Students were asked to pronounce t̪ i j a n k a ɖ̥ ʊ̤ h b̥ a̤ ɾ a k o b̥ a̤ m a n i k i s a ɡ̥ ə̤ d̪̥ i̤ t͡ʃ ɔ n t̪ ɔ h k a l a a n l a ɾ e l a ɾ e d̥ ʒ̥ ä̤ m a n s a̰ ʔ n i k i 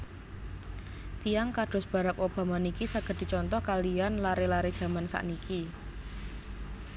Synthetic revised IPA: t̪ i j a ŋ k a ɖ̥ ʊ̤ s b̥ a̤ ɾ a k o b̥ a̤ m a n i k i s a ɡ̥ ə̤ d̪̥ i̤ t͡ʃ ɔ n t̪ ɔ h k a l i a n l a ɾ e l a ɾ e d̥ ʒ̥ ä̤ m a n s a̰ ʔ n i k i